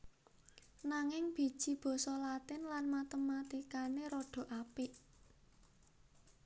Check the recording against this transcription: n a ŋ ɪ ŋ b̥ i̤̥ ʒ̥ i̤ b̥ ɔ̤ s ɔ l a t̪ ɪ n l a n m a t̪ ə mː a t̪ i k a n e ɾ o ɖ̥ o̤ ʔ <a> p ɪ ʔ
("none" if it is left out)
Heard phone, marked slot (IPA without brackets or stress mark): a